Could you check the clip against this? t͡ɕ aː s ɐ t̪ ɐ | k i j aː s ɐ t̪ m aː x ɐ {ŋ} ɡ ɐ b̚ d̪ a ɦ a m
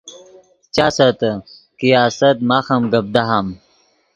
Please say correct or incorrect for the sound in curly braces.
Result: incorrect